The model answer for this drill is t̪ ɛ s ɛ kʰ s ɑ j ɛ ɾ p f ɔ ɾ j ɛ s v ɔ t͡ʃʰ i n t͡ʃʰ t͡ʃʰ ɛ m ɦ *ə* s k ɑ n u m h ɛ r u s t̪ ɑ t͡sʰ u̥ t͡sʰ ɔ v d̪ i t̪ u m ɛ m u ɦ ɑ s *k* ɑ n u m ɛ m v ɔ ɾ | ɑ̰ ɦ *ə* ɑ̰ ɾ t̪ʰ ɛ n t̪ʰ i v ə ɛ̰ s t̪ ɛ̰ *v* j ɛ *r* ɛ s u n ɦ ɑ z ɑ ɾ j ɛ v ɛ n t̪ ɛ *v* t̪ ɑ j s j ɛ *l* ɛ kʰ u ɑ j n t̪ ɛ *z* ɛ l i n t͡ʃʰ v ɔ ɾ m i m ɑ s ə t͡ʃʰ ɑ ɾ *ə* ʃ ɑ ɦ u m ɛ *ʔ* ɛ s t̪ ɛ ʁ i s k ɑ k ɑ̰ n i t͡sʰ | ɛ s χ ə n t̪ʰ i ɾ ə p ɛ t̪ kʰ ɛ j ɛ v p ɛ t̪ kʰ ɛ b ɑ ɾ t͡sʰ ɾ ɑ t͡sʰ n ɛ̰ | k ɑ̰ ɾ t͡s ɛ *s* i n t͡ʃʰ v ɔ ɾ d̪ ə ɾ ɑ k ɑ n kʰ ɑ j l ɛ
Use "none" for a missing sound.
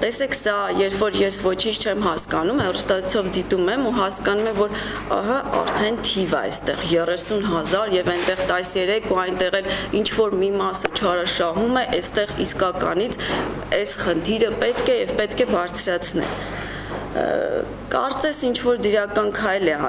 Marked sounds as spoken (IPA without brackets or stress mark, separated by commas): ɑ, k, ɑ, ʁ, r, ʁ, ɾ, ʁ, ɑ, ʔ, s